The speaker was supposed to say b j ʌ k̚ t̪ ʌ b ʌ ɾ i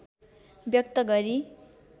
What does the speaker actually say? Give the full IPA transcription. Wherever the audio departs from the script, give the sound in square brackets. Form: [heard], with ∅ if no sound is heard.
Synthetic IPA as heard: b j ʌ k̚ t̪ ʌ [ɡ] ʌ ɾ i